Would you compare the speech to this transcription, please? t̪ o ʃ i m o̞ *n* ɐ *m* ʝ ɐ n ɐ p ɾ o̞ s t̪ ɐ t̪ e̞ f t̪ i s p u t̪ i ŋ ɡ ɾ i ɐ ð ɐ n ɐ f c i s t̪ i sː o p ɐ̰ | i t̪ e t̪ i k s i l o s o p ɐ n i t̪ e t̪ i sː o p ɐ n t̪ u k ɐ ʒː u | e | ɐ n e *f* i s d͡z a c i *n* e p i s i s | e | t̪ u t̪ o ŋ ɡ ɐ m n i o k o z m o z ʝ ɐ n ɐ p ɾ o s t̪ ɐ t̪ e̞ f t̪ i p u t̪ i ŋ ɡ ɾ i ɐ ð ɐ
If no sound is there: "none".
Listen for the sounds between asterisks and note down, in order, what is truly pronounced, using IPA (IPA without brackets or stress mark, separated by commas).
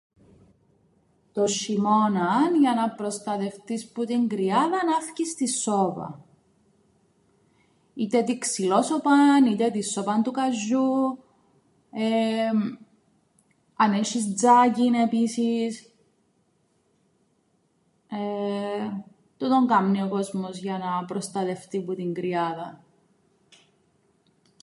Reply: n, n, ʃ, n